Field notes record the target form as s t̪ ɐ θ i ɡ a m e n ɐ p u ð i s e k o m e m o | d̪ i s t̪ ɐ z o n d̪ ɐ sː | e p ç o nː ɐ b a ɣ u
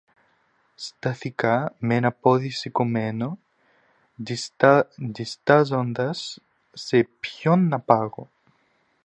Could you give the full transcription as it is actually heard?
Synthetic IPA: s t̪ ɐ θ i k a m e n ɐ p o ð i s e k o m e n o | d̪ i s t̪ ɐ z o n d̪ ɐ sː | e p ç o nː ɐ p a ɣ o